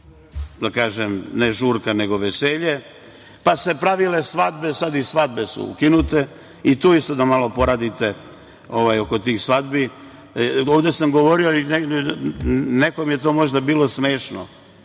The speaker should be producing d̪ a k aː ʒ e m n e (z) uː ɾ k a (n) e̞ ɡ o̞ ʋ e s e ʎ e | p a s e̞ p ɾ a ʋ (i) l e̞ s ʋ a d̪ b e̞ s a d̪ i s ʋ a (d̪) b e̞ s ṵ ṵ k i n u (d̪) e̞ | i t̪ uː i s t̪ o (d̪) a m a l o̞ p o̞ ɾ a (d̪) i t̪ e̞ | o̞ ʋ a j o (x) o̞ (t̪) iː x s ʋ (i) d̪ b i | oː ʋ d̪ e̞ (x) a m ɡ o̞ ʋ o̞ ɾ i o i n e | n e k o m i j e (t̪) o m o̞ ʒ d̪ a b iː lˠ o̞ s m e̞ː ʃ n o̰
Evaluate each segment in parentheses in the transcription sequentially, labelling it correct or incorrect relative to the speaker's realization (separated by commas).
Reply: incorrect, correct, correct, correct, incorrect, correct, correct, incorrect, correct, incorrect, incorrect, correct